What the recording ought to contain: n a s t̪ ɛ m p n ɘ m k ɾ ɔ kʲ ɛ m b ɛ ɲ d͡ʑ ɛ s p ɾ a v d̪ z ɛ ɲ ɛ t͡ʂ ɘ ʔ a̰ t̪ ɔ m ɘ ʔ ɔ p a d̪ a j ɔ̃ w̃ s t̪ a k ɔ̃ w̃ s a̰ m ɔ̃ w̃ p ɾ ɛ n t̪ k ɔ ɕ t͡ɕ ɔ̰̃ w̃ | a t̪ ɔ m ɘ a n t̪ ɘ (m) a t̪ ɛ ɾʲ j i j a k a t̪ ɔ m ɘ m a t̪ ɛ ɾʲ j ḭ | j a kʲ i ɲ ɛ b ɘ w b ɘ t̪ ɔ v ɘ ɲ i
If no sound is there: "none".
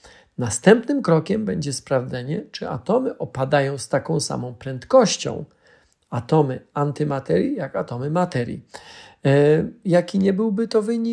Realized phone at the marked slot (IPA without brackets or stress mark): m